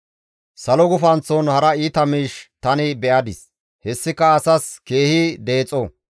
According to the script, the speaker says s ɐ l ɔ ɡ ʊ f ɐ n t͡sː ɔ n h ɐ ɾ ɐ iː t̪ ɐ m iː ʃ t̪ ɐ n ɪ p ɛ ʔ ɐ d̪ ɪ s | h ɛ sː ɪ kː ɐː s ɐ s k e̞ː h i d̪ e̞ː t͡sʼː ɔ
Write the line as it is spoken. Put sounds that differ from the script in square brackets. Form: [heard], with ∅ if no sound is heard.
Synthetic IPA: s ɐ l ɔ ɡ ʊ f ɐ n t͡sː ɔ n h ɐ ɾ ɐ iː t̪ ɐ m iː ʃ t̪ ɐ n ɪ [b] ɛ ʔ ɐ d̪ ɪ s | h ɛ sː ɪ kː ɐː s ɐ s k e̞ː h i d̪ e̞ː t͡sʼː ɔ

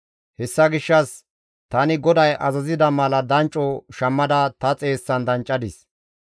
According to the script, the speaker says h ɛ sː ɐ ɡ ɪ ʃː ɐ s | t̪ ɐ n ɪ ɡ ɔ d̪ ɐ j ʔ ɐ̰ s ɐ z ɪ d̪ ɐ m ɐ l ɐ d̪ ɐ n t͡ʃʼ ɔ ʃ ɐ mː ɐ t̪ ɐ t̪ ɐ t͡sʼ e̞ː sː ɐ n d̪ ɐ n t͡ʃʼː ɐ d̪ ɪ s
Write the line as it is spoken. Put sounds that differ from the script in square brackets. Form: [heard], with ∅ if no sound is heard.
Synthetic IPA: h ɛ sː ɐ ɡ ɪ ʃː ɐ s | t̪ ɐ n ɪ ɡ ɔ d̪ ɐ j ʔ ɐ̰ [z] ɐ z ɪ d̪ ɐ m ɐ l ɐ d̪ ɐ n t͡ʃʼ ɔ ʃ ɐ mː ɐ [d̪] ɐ t̪ ɐ t͡sʼ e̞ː sː ɐ n d̪ ɐ n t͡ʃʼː ɐ d̪ ɪ s

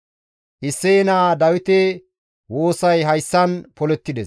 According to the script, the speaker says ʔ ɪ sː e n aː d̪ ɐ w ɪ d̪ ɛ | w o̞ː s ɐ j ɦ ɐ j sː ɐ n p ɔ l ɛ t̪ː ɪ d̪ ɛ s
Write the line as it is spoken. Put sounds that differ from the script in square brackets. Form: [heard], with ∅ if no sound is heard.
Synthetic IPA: ʔ ɪ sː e n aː d̪ ɐ w ɪ [t̪] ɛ | w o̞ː s ɐ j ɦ ɐ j sː ɐ n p ɔ l ɛ t̪ː ɪ d̪ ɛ s

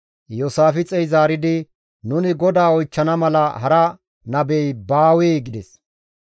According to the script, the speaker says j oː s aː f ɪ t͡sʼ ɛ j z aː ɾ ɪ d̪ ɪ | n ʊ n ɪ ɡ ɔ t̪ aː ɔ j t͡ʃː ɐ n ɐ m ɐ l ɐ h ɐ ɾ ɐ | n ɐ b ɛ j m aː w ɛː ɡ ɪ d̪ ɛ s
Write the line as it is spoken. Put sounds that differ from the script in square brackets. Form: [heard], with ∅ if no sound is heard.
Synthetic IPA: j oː s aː f ɪ t͡sʼ ɛ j z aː ɾ ɪ d̪ ɪ | n ʊ n ɪ ɡ ɔ [d̪] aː ɔ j t͡ʃː ɐ n ɐ m ɐ l ɐ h ɐ ɾ ɐ | n ɐ b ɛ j [b] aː w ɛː ɡ ɪ d̪ ɛ s

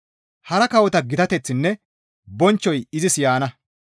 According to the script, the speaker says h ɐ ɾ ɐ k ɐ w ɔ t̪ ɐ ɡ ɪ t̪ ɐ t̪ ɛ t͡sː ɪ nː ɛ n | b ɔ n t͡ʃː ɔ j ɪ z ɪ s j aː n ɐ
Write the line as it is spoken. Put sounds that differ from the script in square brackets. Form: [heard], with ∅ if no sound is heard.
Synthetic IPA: h ɐ ɾ ɐ k ɐ w ɔ t̪ ɐ ɡ ɪ t̪ ɐ t̪ ɛ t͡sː ɪ nː ɛ [∅] | b ɔ n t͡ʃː ɔ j ɪ z ɪ s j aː n ɐ

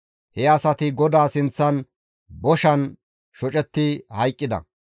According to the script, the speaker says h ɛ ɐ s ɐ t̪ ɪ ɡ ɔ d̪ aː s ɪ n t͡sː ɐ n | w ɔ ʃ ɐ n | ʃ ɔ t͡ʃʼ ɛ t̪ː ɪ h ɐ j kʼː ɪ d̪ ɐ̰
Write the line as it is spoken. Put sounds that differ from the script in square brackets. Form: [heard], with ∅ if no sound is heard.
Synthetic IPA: h ɛ ɐ s ɐ t̪ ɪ ɡ ɔ d̪ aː s ɪ n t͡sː ɐ n | [b] ɔ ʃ ɐ n | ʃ ɔ t͡ʃʼ ɛ t̪ː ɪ h ɐ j kʼː ɪ d̪ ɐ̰

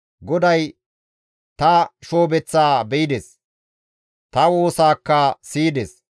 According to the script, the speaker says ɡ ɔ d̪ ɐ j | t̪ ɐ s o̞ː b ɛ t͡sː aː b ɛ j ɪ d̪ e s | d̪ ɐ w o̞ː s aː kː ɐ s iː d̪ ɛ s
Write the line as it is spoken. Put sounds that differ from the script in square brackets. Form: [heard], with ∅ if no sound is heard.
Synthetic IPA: ɡ ɔ d̪ ɐ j | t̪ ɐ [ʃ] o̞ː b ɛ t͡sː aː b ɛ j ɪ d̪ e s | [t̪] ɐ w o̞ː s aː kː ɐ s iː d̪ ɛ s

